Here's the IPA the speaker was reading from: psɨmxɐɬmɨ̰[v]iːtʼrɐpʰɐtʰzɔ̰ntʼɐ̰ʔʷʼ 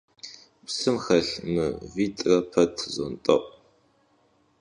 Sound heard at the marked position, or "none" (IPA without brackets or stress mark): v